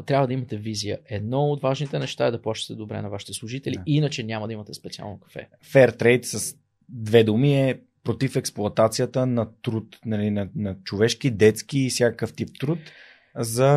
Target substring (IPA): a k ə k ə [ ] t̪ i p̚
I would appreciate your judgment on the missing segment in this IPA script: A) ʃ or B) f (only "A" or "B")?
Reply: B